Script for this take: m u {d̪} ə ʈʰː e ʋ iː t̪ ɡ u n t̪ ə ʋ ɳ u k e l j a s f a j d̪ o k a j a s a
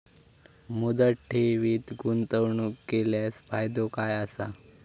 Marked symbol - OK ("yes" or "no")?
yes